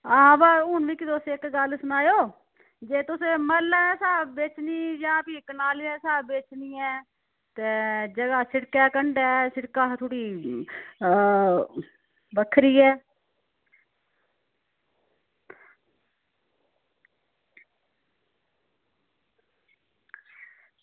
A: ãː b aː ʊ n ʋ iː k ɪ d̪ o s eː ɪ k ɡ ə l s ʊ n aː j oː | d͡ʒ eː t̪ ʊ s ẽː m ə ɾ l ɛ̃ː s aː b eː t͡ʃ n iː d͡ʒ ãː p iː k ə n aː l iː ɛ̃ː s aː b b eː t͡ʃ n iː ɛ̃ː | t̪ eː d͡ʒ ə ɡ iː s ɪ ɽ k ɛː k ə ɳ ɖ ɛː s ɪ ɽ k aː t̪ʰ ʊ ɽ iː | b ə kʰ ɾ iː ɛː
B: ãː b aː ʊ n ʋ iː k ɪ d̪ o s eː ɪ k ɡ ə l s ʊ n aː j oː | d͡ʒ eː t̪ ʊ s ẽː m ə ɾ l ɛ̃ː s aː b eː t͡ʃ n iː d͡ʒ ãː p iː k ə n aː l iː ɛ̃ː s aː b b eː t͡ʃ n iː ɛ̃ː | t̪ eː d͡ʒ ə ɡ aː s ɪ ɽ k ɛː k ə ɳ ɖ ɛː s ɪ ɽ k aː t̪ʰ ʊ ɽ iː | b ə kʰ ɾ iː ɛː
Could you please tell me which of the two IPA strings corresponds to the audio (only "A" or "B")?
B